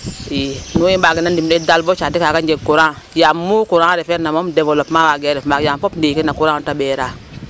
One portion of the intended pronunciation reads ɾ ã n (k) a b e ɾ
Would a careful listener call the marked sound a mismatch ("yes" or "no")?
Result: yes